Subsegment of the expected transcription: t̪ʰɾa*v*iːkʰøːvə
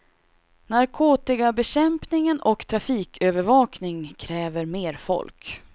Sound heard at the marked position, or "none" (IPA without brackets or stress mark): f